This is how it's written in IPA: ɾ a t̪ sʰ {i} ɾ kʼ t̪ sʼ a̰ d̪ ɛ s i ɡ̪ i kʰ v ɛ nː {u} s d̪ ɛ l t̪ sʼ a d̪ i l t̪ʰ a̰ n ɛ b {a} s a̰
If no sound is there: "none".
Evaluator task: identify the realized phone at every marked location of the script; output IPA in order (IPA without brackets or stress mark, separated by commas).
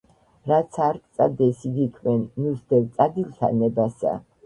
a, u, a